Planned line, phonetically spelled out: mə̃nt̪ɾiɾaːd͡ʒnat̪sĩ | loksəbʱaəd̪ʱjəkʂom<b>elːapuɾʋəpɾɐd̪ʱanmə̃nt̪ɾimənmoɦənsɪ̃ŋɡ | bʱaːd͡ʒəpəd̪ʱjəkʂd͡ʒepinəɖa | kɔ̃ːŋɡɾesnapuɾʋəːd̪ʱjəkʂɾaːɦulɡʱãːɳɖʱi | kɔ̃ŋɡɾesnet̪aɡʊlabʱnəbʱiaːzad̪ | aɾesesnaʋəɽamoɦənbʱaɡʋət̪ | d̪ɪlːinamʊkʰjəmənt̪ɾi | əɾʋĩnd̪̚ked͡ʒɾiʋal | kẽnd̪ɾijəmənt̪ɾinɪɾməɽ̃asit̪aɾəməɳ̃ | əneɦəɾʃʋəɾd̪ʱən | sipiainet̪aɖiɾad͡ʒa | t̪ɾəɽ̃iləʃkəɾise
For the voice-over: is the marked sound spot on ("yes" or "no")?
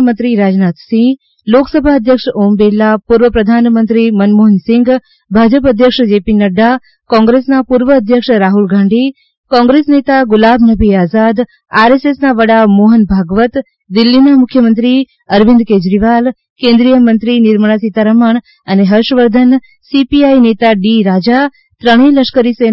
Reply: yes